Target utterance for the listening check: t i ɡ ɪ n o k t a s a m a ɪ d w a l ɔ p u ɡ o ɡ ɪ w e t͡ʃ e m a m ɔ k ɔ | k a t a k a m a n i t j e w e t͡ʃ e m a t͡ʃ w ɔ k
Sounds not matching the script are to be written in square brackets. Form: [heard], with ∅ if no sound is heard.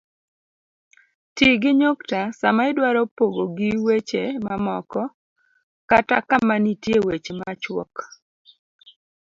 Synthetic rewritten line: t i ɡ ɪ [ɲ] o k t a s a m a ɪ d w a [ɾ] ɔ p [o] ɡ o ɡ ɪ w e t͡ʃ e m a m ɔ k ɔ | k a t a k a m a n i t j e w e t͡ʃ e m a t͡ʃ w ɔ k